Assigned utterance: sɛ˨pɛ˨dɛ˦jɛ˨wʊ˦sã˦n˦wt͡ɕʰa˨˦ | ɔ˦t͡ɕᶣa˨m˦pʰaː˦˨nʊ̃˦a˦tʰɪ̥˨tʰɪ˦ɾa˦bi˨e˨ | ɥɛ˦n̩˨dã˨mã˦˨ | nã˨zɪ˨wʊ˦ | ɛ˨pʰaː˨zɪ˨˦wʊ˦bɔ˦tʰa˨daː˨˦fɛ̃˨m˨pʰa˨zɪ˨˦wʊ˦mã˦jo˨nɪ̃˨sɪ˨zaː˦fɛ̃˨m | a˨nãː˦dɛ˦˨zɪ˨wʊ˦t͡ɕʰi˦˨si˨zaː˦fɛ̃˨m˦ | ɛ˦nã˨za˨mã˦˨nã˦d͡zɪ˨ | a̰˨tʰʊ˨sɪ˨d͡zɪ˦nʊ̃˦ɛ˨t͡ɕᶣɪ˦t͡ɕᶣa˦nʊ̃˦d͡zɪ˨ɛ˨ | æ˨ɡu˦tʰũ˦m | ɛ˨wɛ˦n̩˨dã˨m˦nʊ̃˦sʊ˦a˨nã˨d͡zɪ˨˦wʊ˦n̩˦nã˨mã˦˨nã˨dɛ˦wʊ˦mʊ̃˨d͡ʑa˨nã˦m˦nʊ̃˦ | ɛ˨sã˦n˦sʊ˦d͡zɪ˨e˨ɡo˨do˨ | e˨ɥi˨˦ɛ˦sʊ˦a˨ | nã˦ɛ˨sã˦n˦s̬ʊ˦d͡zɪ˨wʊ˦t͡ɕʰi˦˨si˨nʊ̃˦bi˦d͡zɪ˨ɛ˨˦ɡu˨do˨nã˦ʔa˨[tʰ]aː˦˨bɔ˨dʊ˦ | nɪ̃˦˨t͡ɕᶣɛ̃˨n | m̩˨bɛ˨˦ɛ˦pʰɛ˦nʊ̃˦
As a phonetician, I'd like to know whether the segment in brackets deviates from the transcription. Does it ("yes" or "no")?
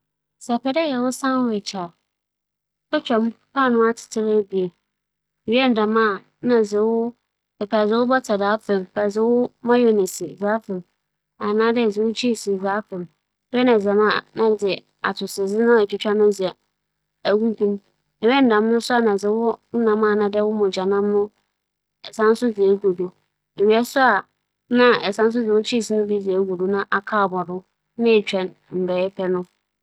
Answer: yes